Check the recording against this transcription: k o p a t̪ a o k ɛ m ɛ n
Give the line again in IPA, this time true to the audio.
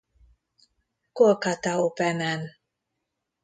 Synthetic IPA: k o k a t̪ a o p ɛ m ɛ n